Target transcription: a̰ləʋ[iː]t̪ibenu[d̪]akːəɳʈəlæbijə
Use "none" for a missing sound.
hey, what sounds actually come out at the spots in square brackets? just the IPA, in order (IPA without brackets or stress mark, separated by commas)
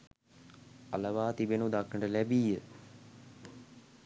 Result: aː, d̪